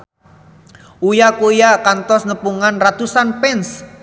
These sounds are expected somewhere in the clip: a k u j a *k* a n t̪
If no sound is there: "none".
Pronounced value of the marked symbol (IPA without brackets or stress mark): k